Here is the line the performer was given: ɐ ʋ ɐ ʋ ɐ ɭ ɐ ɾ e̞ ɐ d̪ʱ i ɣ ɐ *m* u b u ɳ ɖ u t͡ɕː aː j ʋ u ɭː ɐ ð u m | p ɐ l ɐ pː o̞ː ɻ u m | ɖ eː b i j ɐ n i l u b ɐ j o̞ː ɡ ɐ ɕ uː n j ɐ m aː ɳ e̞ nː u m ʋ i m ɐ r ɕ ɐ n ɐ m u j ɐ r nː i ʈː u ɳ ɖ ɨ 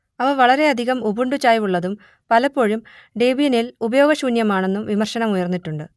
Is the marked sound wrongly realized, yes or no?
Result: no